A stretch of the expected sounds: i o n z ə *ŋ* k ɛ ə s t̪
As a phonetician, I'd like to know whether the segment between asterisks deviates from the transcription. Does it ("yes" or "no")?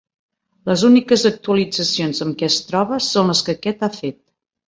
yes